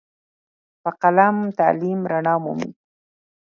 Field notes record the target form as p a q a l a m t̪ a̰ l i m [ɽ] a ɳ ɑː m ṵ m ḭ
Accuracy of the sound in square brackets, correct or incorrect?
incorrect